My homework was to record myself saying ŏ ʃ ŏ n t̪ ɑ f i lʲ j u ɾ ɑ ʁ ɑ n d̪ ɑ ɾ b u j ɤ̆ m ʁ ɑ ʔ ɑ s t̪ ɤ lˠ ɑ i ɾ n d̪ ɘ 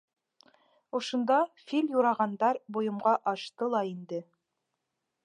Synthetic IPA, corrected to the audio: ŏ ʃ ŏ n d̪ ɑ f i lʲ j u ɾ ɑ ʁ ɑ n d̪ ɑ ɾ b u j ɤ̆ m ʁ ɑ ʔ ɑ ʃ t̪ ɤ lˠ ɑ i n d̪ ɘ